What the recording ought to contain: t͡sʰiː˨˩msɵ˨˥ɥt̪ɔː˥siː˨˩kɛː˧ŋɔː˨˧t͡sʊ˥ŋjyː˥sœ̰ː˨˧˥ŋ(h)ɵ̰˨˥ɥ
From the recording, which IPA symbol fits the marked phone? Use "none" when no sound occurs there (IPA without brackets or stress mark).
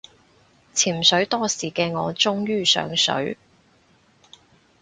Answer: s